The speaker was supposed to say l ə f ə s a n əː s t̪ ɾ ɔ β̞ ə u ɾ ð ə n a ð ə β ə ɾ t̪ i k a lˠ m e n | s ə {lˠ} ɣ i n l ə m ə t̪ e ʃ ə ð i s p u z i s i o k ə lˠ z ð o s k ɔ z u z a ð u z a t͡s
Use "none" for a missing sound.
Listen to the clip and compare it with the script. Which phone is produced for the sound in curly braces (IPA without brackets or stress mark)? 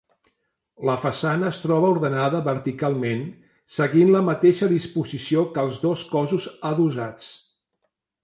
none